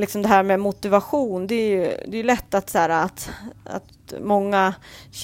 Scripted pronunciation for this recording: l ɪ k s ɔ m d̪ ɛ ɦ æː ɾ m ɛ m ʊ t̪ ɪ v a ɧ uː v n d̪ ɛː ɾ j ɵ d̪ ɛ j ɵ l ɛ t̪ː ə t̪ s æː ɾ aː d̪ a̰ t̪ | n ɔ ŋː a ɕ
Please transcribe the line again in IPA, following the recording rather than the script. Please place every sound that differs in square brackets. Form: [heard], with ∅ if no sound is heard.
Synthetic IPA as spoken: l ɪ k s ɔ m d̪ ɛ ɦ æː ɾ m ɛ m ʊ t̪ ɪ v a ɧ uː [∅] n d̪ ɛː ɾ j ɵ d̪ ɛ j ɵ l ɛ t̪ː [a] t̪ s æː ɾ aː [t̪] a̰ t̪ | [m] ɔ ŋː a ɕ